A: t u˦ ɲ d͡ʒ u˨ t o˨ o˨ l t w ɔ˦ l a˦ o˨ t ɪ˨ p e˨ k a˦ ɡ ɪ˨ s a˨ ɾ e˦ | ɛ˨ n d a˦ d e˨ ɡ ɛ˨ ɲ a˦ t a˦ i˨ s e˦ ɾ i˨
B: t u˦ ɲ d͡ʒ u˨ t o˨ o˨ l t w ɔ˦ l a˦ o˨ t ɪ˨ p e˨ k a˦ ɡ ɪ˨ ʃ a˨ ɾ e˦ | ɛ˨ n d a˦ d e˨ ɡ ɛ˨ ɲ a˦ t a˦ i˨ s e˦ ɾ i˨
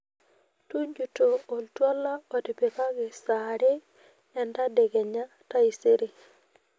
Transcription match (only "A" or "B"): A